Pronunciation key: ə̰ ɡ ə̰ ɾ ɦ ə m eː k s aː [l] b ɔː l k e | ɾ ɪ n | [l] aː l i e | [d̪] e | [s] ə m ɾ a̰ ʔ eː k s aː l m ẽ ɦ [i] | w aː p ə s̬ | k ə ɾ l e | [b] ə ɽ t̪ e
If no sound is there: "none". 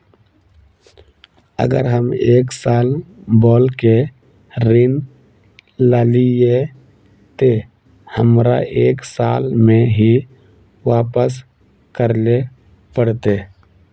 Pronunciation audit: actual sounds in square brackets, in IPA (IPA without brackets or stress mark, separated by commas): l, l, t̪, h, i, p